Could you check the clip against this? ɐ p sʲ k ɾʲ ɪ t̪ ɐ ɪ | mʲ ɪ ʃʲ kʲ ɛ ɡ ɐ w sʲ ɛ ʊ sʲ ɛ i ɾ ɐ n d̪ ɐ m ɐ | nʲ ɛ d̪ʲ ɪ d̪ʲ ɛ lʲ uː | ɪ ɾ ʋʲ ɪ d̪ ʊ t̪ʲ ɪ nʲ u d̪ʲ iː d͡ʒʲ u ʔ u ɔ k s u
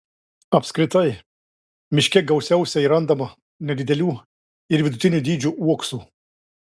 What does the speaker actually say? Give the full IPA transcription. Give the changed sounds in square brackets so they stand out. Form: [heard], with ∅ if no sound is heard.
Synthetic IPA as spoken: ɐ p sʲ k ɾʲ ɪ t̪ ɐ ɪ | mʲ ɪ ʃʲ kʲ ɛ ɡ ɐ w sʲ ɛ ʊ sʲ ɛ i ɾ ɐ n d̪ ɐ m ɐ | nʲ ɛ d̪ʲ ɪ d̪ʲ ɛ lʲ uː | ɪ ɾ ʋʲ ɪ d̪ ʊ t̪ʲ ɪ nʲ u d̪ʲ iː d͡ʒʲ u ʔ u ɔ k s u